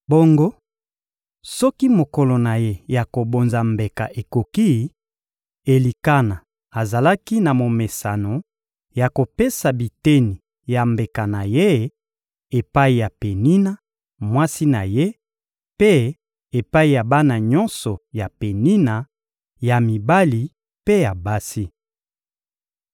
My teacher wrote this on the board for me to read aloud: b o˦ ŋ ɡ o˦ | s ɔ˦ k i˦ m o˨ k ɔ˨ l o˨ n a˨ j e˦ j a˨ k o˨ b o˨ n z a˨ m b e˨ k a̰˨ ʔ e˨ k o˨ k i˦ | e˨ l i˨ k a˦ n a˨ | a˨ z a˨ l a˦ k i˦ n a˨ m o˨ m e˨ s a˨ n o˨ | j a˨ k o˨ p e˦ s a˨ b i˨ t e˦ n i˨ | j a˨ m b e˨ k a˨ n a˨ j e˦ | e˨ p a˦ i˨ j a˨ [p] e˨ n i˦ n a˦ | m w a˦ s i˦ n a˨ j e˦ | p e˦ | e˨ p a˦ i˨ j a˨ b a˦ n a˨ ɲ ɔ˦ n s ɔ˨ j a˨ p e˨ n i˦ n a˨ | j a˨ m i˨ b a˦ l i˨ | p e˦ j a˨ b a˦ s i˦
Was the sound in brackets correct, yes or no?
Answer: yes